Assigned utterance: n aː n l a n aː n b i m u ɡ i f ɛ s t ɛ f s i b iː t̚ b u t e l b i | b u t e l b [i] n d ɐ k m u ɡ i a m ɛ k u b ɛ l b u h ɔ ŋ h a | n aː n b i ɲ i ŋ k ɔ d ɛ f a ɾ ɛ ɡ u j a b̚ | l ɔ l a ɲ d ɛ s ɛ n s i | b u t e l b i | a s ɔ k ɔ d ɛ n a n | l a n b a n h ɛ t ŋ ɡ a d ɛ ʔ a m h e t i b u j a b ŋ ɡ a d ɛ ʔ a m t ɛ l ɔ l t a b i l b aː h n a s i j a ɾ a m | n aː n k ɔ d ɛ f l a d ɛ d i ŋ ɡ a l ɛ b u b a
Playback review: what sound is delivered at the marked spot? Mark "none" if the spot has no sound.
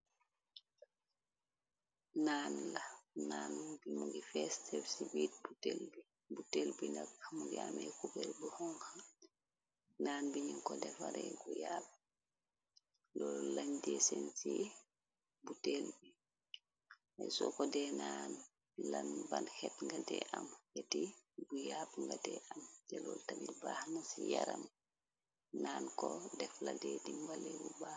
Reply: i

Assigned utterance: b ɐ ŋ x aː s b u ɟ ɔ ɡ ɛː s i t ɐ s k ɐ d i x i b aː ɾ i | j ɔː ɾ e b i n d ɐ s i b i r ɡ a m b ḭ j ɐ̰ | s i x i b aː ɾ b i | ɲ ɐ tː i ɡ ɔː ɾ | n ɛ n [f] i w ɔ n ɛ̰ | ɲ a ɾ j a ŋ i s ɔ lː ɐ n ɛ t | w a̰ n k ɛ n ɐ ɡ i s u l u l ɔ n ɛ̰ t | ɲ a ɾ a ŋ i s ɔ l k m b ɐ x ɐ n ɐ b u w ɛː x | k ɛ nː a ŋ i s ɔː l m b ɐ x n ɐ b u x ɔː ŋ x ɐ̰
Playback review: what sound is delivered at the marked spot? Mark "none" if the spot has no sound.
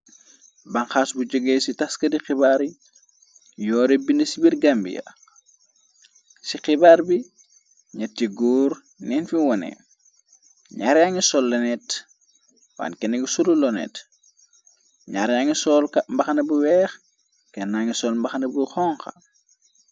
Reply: f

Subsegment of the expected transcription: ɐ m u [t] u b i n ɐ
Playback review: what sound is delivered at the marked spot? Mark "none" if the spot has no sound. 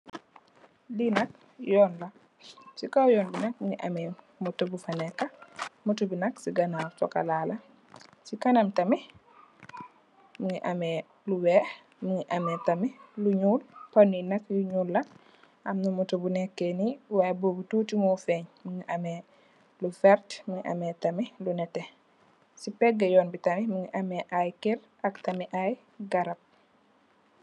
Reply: t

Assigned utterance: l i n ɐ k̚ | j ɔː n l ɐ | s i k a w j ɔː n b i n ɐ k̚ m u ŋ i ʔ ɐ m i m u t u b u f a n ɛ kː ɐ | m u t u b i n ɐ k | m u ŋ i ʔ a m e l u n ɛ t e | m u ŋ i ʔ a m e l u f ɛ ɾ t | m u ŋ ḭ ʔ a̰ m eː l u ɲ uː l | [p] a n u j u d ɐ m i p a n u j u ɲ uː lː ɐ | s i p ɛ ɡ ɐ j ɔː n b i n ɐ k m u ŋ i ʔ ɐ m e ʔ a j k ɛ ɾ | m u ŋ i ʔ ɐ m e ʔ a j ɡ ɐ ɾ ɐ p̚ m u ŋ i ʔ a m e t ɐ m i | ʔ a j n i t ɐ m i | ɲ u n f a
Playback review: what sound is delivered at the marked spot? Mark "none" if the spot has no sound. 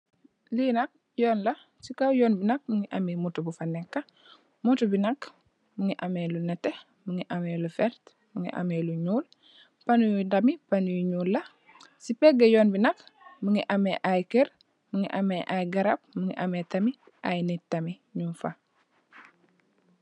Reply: p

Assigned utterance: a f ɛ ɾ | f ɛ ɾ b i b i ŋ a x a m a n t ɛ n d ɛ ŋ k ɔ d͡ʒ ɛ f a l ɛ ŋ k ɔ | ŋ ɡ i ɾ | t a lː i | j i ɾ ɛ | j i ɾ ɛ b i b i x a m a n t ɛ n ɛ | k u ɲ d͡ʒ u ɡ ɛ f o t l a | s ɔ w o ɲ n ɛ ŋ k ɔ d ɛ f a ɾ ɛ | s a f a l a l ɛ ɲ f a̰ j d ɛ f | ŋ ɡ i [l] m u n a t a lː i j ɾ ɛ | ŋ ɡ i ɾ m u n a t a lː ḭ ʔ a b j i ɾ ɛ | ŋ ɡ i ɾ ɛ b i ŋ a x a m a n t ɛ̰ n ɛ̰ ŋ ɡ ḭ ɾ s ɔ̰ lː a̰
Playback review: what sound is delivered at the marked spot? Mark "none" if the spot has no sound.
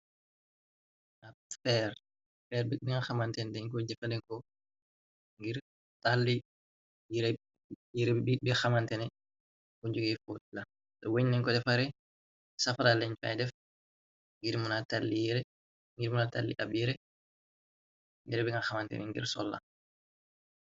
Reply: ɾ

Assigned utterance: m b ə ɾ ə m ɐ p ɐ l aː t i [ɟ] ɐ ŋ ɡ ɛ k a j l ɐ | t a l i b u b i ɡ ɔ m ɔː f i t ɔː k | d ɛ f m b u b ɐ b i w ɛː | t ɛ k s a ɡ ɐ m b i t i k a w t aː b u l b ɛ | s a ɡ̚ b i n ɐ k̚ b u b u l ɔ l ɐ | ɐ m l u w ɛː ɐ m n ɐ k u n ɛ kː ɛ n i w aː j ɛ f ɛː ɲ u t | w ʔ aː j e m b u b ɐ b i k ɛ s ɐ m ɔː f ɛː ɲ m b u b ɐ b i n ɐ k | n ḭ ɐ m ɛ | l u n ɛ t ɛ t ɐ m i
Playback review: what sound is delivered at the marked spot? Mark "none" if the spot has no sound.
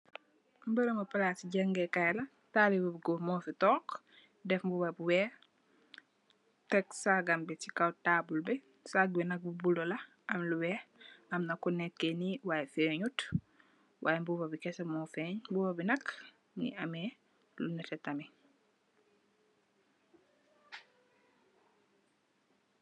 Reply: ɟ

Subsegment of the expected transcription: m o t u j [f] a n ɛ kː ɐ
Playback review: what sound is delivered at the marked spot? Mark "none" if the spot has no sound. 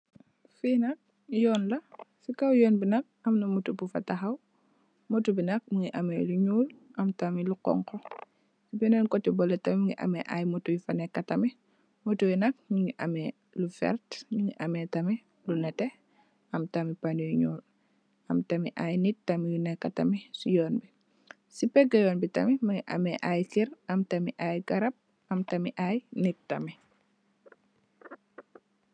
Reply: f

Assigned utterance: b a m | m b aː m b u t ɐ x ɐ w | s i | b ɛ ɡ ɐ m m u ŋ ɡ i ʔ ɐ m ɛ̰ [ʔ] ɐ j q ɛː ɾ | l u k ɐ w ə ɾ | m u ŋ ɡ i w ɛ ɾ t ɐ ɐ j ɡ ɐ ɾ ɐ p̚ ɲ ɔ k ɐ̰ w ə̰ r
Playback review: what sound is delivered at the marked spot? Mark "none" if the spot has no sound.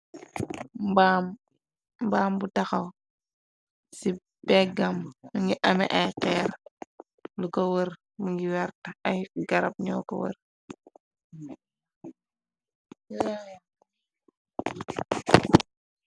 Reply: ʔ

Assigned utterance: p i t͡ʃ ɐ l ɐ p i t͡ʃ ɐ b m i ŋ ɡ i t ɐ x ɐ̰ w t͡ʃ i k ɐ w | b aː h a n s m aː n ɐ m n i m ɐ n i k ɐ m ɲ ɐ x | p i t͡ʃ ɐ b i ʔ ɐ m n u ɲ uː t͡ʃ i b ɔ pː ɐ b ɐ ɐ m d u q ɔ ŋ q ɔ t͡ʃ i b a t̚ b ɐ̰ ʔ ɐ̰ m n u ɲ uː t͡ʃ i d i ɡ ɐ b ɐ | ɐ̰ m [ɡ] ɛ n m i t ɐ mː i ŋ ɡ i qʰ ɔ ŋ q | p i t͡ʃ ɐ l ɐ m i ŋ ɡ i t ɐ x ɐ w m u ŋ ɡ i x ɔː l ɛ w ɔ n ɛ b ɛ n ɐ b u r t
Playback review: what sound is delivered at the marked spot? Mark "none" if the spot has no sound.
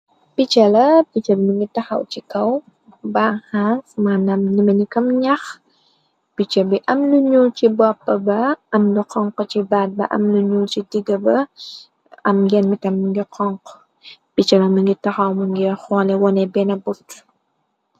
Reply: ɡ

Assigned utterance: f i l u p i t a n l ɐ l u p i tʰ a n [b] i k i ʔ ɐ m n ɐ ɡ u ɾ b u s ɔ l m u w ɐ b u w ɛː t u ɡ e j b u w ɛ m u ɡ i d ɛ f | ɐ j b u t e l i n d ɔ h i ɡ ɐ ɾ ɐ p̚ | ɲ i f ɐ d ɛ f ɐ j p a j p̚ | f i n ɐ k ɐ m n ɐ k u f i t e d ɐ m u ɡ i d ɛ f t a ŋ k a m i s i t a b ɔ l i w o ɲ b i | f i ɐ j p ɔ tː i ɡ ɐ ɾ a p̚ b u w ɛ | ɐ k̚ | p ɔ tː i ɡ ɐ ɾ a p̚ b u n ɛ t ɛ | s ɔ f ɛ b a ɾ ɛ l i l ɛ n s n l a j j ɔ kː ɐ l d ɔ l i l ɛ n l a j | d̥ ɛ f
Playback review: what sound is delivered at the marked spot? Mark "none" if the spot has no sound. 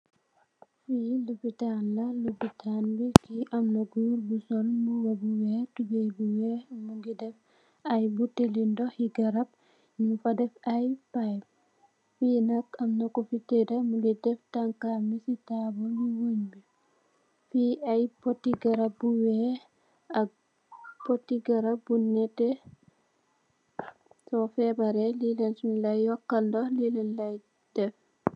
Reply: b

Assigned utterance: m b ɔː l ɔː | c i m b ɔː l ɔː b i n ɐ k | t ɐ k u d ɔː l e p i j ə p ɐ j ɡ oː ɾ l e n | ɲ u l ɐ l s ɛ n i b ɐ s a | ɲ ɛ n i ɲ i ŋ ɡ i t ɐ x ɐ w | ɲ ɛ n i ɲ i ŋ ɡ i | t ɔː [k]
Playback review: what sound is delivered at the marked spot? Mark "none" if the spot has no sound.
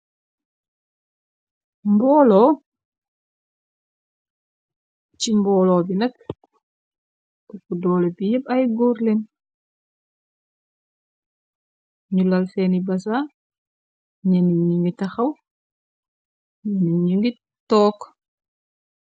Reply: k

